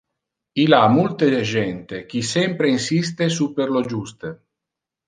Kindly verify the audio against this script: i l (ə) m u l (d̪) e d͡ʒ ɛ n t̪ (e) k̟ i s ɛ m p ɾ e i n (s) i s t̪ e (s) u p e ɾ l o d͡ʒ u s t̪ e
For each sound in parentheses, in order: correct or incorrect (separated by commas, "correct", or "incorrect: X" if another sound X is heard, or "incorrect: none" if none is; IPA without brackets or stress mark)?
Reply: incorrect: a, incorrect: t̪, correct, correct, correct